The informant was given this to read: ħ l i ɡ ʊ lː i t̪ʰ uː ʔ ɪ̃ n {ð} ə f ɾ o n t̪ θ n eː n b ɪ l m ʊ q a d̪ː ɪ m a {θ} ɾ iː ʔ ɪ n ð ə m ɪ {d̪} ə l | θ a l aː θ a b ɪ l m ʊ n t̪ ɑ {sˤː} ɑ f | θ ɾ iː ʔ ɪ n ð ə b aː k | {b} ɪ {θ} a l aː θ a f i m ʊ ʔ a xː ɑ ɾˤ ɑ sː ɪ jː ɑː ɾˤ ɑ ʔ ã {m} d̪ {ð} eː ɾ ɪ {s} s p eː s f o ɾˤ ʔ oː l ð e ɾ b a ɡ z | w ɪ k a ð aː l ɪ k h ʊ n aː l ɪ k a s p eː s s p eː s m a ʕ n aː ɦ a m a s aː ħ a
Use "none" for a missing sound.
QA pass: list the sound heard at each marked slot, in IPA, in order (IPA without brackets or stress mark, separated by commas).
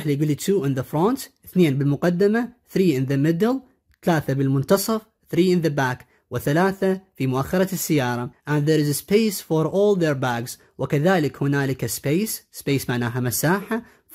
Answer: ð, θ, d̪, sˤ, w, θ, n, ð, z